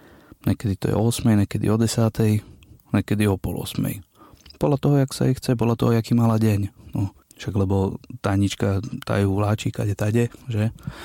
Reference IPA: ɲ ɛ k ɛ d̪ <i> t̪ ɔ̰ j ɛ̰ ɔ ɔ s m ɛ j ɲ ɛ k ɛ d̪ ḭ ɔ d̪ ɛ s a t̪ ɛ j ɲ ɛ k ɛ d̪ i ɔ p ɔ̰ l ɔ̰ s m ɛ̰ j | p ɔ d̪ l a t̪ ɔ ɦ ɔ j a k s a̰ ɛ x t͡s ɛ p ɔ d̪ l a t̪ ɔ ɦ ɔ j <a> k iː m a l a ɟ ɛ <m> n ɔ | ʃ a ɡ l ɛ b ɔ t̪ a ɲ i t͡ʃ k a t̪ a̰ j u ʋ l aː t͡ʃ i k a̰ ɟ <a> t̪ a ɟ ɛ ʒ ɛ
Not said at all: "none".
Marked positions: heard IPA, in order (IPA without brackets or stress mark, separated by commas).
i, a, ɲ, ɛ